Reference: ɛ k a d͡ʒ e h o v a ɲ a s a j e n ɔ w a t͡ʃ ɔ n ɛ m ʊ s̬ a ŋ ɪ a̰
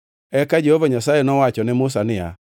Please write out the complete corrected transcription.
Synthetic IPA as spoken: ɛ k a d͡ʒ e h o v a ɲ a s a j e n ɔ w a t͡ʃ ɔ n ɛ m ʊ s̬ a n ɪ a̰

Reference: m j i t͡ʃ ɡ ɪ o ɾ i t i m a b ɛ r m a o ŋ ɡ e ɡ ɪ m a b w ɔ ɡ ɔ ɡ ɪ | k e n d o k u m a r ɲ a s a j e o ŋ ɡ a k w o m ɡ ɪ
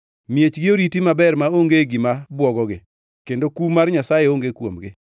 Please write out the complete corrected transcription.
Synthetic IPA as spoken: m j e t͡ʃ ɡ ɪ o ɾ i t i m a b ɛ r m a o ŋ ɡ e ɡ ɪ m a b w ɔ ɡ ɔ ɡ ɪ | k e n d o k u m a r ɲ a s a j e o ŋ ɡ e k w o m ɡ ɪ

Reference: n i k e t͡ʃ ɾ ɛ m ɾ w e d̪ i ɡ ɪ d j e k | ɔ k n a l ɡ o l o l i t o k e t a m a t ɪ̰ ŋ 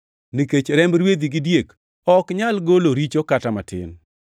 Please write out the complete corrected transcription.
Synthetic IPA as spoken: n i k e t͡ʃ ɾ ɛ m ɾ w e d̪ i ɡ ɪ d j e k | ɔ k ɲ a l ɡ o l o ɾ i t͡ʃ o k a t a m a t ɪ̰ n

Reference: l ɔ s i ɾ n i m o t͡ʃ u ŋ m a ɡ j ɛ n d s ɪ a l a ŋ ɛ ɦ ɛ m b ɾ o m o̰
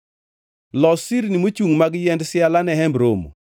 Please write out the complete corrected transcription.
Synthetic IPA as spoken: l ɔ s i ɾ n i m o t͡ʃ u ŋ m a ɡ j ɛ n d s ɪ a l a n ɛ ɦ ɛ m b ɾ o m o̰

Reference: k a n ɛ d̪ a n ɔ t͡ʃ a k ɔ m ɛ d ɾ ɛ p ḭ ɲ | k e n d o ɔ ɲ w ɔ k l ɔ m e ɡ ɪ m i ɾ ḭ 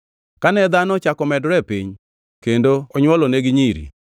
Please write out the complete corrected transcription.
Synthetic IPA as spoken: k a n ɛ d̪ a n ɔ t͡ʃ a k ɔ m ɛ d ɾ ɛ p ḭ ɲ | k e n d o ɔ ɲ w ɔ l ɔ n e ɡ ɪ ɲ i ɾ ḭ

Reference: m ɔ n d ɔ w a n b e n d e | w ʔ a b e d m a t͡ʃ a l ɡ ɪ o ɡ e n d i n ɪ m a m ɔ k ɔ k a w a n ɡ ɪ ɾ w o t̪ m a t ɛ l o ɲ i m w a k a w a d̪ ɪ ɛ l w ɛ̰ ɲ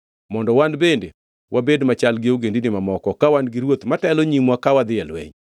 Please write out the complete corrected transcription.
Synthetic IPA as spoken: m ɔ n d ɔ w a n b e n d e | w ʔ a b e d m a t͡ʃ a l ɡ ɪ o ɡ e n d i n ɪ m a m ɔ k ɔ k a w a n ɡ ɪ ɾ w o t̪ m a t ɛ l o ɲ i m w a k a w a d̪ ɪ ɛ l w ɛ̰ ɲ

